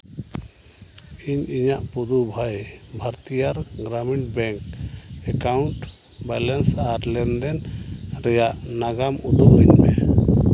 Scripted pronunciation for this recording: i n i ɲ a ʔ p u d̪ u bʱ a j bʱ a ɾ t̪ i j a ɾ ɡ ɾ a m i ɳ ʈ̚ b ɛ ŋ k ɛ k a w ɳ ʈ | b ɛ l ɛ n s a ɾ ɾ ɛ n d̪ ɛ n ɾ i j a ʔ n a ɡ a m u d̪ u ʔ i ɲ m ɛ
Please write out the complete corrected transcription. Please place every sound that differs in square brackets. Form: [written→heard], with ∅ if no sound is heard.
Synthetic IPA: i [n→ɲ] i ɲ a ʔ p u d̪ u bʱ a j bʱ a ɾ t̪ i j a ɾ ɡ ɾ a m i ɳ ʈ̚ b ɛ ŋ k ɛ k a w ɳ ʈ | b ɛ l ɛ n s a ɾ [ɾ→l] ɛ n d̪ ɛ n ɾ [i→ɛ] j a ʔ n a ɡ a m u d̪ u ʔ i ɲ m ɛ